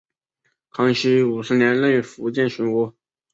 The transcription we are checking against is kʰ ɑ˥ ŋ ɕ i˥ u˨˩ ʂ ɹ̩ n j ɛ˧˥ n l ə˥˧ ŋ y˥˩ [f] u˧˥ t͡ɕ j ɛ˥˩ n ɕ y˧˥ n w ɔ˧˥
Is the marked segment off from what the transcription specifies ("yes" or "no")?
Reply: no